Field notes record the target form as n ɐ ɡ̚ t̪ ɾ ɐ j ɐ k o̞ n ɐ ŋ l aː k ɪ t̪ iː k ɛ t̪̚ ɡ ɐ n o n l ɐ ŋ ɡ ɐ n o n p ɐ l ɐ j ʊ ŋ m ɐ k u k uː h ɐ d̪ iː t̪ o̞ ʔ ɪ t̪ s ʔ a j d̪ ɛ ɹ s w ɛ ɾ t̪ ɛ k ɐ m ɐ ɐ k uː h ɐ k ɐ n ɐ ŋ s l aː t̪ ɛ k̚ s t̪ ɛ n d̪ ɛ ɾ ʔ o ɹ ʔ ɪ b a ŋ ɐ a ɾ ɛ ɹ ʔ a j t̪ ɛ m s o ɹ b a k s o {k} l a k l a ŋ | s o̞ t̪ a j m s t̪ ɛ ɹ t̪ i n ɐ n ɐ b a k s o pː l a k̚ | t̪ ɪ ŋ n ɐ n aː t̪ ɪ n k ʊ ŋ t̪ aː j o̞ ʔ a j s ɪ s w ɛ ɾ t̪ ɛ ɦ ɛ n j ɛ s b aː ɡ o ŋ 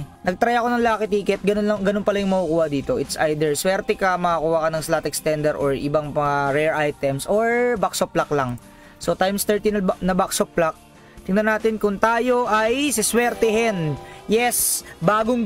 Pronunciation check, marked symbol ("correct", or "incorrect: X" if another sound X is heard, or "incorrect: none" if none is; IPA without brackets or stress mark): incorrect: p